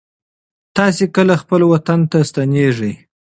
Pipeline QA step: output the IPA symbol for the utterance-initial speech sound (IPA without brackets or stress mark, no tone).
t̪